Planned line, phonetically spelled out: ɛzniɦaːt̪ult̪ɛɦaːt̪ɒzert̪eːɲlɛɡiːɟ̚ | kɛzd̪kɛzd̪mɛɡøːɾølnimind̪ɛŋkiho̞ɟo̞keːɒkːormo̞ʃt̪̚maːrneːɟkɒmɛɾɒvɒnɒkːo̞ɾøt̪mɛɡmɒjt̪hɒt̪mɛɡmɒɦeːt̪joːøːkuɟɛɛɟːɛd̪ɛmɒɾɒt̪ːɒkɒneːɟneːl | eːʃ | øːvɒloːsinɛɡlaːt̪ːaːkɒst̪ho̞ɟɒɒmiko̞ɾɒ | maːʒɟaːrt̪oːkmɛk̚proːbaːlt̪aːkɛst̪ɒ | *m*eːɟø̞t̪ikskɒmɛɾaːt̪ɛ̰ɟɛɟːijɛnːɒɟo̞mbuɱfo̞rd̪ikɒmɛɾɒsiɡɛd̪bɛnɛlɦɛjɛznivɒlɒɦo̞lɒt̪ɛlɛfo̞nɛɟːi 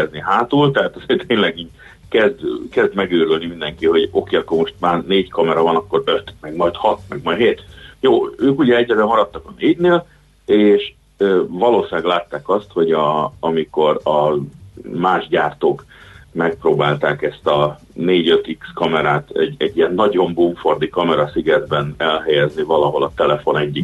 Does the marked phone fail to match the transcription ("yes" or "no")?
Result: yes